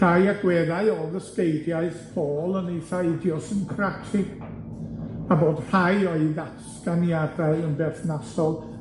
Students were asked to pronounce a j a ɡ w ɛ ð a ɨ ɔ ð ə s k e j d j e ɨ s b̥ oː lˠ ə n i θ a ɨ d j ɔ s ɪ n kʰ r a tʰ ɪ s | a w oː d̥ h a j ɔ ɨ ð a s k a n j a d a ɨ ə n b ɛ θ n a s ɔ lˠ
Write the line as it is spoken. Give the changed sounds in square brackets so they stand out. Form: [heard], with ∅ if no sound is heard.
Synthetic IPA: a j a ɡ w ɛ ð a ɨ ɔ ð ə s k e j d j [a] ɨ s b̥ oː lˠ ə n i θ a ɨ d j ɔ s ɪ n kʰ r a tʰ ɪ [∅] | a [b] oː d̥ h a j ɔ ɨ ð a s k a n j a d a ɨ ə n b ɛ θ n a s ɔ lˠ